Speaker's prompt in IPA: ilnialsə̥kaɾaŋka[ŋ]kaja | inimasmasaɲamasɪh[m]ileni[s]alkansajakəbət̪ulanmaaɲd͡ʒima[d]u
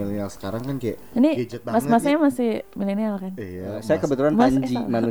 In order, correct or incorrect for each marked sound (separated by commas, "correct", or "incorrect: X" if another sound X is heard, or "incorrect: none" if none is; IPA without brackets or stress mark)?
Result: incorrect: n, correct, incorrect: none, incorrect: n